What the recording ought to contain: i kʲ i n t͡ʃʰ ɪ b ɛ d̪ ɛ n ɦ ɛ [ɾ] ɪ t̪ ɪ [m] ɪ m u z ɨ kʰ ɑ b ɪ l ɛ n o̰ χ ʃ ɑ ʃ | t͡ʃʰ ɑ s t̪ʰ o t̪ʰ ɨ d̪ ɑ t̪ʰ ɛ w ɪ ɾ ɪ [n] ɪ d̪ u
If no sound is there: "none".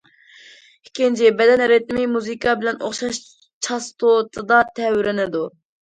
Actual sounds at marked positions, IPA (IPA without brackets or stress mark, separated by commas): ɾ, m, n